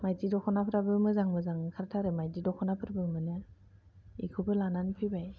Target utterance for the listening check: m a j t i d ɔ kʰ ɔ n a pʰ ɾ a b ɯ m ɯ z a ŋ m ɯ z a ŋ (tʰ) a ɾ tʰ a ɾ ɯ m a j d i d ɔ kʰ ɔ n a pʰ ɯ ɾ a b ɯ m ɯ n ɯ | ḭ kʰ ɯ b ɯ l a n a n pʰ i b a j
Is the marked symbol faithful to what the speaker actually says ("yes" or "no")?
no